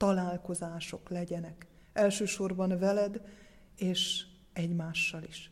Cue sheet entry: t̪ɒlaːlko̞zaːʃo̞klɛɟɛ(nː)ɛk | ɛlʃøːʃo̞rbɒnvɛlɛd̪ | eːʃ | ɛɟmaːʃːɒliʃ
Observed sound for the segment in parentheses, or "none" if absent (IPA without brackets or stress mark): n